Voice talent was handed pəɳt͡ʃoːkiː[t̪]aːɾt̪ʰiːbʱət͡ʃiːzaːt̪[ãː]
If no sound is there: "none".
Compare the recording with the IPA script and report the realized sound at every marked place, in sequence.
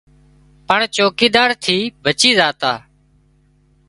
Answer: d̪, aː

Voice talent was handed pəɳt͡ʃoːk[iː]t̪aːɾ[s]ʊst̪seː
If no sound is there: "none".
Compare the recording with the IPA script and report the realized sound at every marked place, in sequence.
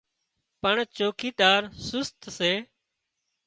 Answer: iː, s

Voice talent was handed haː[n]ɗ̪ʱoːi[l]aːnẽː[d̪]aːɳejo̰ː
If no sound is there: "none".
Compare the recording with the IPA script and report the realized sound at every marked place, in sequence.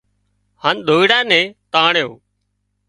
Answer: n, ɽ, t̪

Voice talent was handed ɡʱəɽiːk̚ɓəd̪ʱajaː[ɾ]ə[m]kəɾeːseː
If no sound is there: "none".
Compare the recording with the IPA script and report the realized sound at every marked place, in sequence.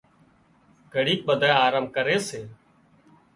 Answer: ɾ, m

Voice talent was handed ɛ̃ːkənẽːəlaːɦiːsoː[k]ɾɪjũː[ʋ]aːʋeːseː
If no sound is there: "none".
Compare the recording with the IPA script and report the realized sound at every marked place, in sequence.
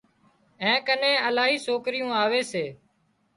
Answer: k, none

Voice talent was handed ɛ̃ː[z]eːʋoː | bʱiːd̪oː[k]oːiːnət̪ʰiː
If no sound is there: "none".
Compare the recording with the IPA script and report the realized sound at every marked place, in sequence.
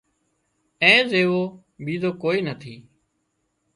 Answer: z, k

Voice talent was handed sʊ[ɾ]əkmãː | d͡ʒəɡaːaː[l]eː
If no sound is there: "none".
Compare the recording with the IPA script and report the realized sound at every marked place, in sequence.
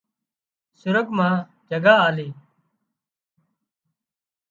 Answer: ɾ, l

